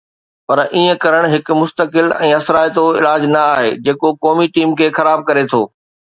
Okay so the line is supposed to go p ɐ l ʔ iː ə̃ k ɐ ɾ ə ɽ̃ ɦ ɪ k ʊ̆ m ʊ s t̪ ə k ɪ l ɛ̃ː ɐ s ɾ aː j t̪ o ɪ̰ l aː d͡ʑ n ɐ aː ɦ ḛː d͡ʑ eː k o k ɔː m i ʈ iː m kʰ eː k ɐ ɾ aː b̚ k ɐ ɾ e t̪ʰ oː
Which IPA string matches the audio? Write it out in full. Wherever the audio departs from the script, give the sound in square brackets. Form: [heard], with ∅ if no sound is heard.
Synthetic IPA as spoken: p ɐ [ɾ] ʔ iː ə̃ k ɐ ɾ ə ɽ̃ ɦ ɪ k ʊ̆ m ʊ s t̪ ə k ɪ l ɛ̃ː ɐ s ɾ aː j t̪ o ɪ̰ l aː d͡ʑ n ɐ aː ɦ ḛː d͡ʑ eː k o k ɔː m i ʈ iː m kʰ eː [x] ɐ ɾ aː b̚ k ɐ ɾ e t̪ʰ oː

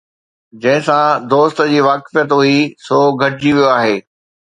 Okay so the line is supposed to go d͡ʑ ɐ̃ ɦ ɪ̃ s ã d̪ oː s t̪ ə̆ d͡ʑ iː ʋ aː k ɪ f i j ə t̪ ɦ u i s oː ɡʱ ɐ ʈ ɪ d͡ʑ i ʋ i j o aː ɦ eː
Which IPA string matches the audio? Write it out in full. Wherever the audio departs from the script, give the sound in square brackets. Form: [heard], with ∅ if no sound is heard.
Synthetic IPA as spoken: d͡ʑ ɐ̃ ɦ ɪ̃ s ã d̪ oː s t̪ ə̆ d͡ʑ iː ʋ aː k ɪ f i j ə t̪ ɦ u i s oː ɡʱ ɐ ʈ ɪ d͡ʑ i ʋ i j o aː ɦ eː

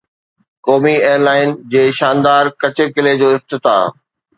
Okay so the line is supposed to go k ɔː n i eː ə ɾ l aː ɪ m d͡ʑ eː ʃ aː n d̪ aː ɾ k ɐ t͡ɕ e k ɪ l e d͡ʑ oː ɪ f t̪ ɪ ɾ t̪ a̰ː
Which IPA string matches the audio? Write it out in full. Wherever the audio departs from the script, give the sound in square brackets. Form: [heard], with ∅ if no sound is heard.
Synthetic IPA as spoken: k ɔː [m] i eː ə ɾ l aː ɪ [n] d͡ʑ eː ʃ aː n d̪ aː ɾ k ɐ t͡ɕ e k ɪ l e d͡ʑ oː ɪ f t̪ ɪ [∅] t̪ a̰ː

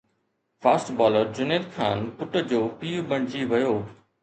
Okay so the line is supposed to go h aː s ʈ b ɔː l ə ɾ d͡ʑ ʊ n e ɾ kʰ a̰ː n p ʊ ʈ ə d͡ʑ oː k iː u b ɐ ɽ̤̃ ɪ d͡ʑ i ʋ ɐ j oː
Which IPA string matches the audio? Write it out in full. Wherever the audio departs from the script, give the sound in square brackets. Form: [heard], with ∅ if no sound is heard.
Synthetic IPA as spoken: [f] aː s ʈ b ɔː l ə ɾ d͡ʑ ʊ n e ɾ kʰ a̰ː n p ʊ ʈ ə d͡ʑ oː [p] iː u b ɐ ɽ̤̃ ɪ d͡ʑ i ʋ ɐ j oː

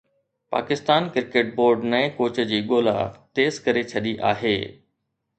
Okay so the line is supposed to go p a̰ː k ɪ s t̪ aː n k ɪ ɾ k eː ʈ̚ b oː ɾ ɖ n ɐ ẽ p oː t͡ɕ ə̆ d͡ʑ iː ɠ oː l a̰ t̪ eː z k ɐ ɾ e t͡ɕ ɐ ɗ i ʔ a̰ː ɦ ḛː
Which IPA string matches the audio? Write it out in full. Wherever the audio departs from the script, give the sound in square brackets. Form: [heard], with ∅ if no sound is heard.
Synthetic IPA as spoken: p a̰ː k ɪ s t̪ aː n k ɪ ɾ k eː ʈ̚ b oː ɾ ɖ n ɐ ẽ [k] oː t͡ɕ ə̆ d͡ʑ iː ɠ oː l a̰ t̪ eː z k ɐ ɾ e [t͡ɕʰ] ɐ ɗ i ʔ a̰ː ɦ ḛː

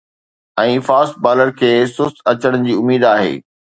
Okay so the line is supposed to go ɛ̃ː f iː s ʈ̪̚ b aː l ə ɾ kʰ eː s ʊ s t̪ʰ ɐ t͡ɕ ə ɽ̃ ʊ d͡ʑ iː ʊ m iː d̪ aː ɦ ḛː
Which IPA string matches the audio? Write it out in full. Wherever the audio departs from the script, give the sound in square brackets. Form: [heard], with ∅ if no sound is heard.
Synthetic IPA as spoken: ɛ̃ː f [aː] s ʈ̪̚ b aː l ə ɾ kʰ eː s ʊ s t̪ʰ ɐ t͡ɕ ə ɽ̃ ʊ d͡ʑ iː ʊ m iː d̪ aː ɦ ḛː

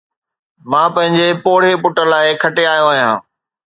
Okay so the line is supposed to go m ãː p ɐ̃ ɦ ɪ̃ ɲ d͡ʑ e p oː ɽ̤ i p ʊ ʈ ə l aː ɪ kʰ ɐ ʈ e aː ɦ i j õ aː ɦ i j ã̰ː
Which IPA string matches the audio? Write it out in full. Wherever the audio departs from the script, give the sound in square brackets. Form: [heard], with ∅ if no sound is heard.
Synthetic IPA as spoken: m ãː p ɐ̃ ɦ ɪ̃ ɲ d͡ʑ e p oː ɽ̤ [e] p ʊ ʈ ə l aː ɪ kʰ ɐ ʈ e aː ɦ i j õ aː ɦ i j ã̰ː

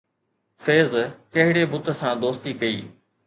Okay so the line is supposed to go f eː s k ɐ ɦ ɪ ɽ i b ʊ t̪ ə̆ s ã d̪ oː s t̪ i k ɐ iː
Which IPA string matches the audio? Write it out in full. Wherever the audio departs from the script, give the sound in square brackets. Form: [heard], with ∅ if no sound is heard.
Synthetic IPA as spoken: f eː [z] k ɐ ɦ ɪ ɽ [e] b ʊ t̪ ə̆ s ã d̪ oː s t̪ i k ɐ iː

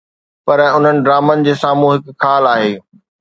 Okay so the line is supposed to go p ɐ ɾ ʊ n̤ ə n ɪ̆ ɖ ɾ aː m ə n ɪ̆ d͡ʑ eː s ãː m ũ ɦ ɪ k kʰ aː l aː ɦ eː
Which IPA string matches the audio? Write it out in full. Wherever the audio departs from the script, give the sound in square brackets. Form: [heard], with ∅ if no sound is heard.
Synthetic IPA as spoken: p ɐ ɾ ʊ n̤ ə n ɪ̆ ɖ ɾ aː m ə n ɪ̆ d͡ʑ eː s [aː] m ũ ɦ ɪ k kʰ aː l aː ɦ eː

